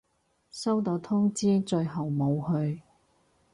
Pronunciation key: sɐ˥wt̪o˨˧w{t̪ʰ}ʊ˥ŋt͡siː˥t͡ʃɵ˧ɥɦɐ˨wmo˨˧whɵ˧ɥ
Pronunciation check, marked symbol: correct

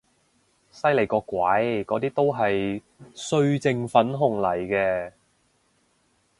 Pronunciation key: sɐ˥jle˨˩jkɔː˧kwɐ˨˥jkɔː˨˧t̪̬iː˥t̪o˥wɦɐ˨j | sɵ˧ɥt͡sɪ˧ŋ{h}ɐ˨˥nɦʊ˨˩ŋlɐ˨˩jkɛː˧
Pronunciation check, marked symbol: incorrect: f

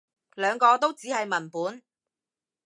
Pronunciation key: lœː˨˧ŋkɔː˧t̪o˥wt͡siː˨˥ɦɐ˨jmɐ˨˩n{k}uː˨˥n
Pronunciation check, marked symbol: incorrect: p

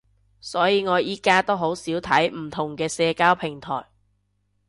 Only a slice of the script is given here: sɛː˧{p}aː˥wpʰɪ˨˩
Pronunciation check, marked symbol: incorrect: k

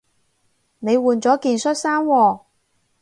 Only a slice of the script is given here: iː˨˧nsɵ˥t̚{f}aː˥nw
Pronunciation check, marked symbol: incorrect: s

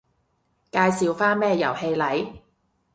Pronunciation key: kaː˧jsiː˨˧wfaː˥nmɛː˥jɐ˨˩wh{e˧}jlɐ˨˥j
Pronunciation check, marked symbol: correct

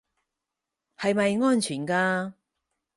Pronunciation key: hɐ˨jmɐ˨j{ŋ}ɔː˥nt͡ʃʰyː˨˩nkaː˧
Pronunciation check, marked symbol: correct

